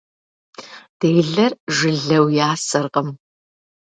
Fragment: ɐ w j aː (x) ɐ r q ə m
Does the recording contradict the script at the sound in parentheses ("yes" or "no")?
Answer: yes